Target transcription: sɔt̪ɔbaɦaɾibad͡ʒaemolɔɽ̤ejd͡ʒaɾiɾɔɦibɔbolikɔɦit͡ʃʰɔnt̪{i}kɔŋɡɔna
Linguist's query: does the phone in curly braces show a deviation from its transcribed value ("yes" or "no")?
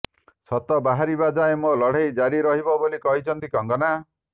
no